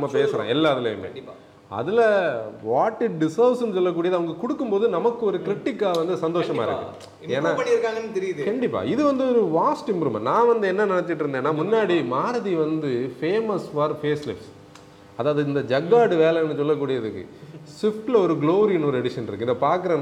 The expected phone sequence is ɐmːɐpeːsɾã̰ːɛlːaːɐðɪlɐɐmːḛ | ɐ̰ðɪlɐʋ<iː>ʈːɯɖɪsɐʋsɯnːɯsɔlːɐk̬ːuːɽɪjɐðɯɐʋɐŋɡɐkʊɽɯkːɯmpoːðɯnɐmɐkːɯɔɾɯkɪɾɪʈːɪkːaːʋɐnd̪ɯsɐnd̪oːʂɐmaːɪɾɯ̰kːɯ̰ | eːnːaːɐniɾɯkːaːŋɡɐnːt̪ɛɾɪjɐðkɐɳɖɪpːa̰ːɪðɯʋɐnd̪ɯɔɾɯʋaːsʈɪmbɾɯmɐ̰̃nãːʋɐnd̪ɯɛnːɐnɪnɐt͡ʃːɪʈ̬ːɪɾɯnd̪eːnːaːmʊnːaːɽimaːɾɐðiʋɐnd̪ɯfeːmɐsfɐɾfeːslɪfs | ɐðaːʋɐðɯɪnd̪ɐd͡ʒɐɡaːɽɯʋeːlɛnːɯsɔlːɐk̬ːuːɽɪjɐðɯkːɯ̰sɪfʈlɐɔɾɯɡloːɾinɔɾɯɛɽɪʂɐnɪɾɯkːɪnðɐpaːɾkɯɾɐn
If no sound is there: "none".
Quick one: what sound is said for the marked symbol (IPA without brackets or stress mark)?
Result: aː